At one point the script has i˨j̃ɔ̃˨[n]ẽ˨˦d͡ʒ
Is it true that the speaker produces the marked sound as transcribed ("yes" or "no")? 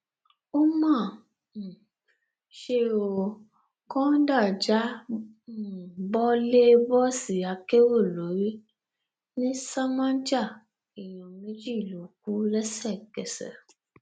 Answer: no